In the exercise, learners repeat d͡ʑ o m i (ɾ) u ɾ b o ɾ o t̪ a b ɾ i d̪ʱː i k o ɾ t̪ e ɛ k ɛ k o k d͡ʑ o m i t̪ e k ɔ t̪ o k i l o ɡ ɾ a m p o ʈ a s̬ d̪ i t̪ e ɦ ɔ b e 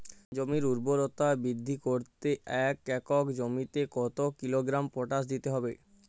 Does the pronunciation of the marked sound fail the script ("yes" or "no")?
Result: no